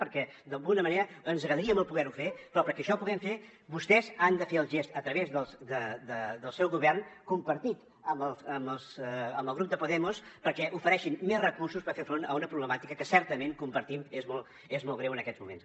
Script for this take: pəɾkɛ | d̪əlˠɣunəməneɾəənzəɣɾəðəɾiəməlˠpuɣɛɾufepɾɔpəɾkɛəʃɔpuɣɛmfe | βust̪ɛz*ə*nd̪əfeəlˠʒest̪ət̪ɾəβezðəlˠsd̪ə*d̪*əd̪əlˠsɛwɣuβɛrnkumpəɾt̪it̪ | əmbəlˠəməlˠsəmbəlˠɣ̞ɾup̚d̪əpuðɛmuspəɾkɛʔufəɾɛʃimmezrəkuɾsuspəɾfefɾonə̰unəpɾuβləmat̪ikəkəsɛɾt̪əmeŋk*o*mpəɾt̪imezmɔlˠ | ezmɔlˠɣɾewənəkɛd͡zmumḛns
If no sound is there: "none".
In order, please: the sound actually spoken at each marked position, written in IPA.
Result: a, d̪, u

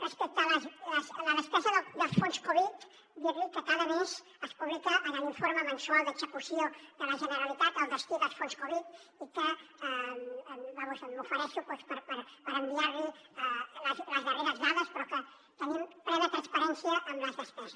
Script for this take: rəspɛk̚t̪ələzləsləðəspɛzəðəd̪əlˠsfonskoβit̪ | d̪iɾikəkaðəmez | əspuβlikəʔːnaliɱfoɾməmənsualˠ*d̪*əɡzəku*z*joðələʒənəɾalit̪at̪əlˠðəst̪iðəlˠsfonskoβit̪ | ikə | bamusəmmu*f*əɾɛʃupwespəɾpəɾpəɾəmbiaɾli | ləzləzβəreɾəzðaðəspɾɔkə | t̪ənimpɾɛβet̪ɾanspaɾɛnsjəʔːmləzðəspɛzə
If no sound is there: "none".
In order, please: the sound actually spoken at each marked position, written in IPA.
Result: d̪, s, f

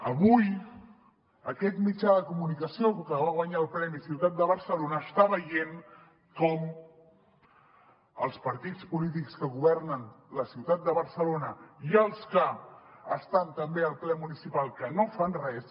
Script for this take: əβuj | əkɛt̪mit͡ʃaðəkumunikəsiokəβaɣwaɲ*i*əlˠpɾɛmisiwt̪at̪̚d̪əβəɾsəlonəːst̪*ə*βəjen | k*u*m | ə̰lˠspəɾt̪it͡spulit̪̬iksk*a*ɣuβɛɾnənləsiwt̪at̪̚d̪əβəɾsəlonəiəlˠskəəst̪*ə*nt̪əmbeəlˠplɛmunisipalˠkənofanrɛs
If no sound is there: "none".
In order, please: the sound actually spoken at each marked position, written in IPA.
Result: a, a, ɔ, ə, a

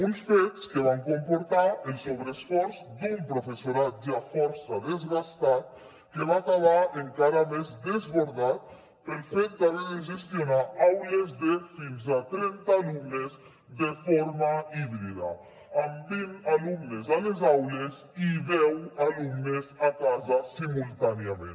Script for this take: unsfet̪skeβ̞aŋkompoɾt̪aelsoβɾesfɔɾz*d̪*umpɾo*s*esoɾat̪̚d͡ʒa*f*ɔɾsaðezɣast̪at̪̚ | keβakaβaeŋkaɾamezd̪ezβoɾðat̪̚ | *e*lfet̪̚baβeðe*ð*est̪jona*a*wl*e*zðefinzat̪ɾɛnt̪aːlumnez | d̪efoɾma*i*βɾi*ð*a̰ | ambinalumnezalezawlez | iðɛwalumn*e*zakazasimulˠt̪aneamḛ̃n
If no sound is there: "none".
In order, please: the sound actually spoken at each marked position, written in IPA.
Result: d̪, f, f, e, ʒ, a, e, i, ð, e

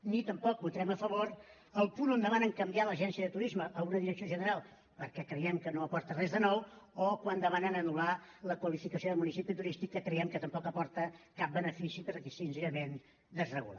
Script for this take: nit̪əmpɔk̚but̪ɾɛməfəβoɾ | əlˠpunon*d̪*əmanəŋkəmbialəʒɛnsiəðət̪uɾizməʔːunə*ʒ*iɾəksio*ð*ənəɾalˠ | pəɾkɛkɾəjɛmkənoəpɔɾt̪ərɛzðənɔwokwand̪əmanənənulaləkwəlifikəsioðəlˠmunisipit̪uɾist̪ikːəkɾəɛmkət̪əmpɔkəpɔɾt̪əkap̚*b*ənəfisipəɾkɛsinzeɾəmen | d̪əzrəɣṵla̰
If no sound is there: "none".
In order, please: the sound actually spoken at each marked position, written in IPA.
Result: d̪, ð, ʒ, b

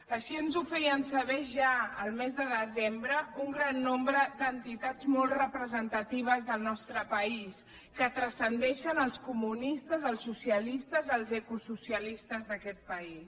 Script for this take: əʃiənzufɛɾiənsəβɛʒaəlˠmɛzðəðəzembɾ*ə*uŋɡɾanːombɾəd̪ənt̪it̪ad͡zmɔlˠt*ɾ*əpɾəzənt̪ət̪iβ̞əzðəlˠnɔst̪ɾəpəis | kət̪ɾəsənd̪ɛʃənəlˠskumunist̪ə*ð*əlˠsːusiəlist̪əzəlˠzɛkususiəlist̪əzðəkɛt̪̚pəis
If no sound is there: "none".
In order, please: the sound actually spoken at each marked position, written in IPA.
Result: ə, r, z

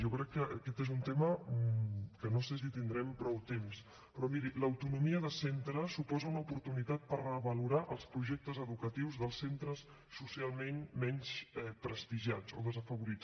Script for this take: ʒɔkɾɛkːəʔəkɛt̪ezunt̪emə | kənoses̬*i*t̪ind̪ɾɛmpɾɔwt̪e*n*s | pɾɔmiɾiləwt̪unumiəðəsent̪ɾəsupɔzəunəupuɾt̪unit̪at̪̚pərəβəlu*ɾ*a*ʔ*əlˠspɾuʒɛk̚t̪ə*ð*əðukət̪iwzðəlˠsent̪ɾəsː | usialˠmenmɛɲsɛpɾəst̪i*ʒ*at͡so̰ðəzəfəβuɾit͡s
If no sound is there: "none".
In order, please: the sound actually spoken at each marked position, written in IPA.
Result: i, m, ɾ, ʔ, z, ʒ

